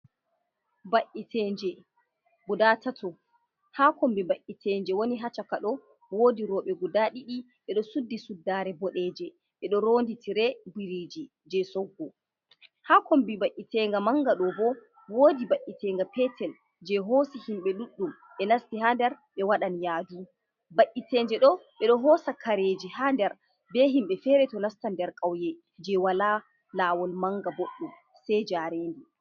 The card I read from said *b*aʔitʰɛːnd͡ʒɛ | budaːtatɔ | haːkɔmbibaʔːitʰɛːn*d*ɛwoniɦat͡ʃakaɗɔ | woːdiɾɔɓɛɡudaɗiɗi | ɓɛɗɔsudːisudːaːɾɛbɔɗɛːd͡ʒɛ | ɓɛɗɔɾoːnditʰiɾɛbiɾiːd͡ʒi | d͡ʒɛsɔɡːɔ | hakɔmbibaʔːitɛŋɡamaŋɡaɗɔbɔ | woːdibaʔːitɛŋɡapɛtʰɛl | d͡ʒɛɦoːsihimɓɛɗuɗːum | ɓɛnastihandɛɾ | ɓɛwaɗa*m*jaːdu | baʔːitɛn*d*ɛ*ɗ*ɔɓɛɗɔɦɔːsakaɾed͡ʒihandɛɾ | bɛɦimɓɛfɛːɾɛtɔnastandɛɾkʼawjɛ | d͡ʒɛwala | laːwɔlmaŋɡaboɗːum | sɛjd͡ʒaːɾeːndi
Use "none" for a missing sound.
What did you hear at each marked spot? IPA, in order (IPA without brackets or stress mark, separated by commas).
b, d͡ʒ, n, d͡ʒ, ɗ